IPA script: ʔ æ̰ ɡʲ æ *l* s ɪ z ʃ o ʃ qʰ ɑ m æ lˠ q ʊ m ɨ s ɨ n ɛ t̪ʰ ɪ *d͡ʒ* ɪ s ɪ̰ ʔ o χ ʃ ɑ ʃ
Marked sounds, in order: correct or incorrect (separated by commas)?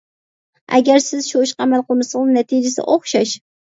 incorrect, correct